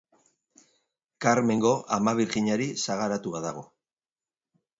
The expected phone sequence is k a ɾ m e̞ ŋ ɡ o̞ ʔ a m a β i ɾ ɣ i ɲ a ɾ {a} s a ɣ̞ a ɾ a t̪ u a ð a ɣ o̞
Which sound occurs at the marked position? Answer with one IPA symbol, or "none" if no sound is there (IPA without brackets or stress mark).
i